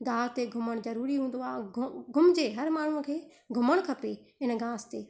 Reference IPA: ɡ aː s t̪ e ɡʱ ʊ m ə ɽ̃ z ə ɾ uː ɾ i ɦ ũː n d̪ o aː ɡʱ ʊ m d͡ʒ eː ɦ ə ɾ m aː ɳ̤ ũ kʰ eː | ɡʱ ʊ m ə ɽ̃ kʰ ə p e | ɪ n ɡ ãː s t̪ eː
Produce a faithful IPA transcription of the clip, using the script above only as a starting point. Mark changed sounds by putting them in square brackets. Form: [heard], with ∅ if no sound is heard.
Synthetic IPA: ɡ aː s t̪ e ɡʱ ʊ m ə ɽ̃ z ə ɾ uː ɾ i ɦ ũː n d̪ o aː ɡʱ ʊ m d͡ʒ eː ɦ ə ɾ m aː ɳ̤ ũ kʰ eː | ɡʱ ʊ m ə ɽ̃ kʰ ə p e | ɪ n ɡ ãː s t̪ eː